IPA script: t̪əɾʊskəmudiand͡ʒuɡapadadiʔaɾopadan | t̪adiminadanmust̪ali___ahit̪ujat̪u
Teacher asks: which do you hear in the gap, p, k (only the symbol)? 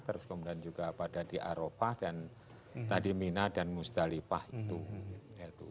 p